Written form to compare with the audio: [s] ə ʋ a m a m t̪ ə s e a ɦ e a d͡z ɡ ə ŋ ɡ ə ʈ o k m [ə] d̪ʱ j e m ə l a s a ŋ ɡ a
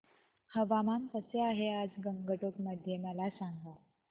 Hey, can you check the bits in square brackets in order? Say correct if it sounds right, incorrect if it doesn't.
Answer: incorrect: h, correct

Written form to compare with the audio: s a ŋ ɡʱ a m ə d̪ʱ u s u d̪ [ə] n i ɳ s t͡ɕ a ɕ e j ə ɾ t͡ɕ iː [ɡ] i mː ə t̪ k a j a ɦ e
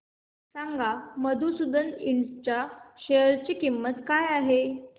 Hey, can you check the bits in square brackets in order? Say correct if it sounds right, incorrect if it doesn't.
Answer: correct, incorrect: k

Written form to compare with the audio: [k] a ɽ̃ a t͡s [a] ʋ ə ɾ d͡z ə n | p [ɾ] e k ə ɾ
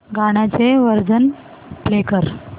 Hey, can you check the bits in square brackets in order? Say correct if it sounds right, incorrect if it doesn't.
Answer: incorrect: ɡ, incorrect: e, incorrect: l

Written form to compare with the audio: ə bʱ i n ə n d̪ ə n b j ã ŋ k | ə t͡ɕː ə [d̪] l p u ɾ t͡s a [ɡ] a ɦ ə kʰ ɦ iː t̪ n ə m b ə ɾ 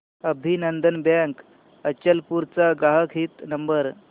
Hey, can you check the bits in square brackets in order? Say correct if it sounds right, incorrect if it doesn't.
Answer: incorrect: none, correct

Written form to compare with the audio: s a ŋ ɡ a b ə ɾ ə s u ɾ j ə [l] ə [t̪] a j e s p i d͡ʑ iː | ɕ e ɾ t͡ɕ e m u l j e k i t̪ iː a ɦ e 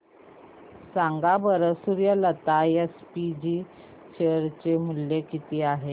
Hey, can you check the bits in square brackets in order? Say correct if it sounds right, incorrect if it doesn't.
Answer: correct, correct

